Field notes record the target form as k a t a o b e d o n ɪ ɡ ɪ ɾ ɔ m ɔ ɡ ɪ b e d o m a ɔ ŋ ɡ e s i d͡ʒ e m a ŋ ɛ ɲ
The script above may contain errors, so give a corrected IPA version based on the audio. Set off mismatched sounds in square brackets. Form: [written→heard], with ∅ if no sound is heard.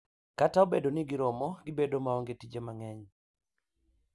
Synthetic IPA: k a t a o b e d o n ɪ ɡ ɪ ɾ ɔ m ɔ ɡ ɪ b e d o m a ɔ ŋ ɡ e [s→t] i d͡ʒ e m a ŋ ɛ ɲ